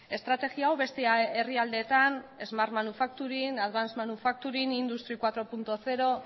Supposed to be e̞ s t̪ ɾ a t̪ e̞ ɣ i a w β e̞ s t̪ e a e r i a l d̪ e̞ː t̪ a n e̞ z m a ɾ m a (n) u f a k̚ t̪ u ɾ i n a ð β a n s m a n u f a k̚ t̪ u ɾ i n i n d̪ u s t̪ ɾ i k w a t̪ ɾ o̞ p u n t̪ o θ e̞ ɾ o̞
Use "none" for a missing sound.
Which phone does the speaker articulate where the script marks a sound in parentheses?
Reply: n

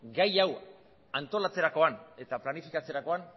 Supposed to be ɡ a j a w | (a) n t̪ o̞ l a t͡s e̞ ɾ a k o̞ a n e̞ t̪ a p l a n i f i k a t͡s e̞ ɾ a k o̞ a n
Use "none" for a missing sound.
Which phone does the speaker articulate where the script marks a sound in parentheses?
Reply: a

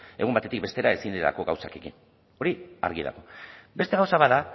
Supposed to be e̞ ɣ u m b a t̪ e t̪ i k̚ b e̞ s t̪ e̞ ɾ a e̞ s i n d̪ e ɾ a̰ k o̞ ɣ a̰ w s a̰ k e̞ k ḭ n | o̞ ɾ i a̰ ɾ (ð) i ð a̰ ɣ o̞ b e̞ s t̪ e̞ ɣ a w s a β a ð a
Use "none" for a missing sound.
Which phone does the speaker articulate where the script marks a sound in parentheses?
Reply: ɣ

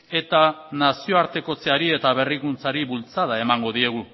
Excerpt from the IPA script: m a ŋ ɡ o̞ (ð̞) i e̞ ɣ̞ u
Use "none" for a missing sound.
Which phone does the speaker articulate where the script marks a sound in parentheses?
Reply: ð̞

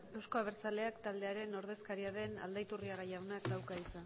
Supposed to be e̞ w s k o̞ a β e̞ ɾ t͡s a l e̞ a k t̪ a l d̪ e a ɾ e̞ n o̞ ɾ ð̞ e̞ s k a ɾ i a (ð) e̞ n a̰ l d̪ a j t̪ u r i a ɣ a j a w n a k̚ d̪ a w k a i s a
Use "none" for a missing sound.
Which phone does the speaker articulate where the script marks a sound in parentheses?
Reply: ð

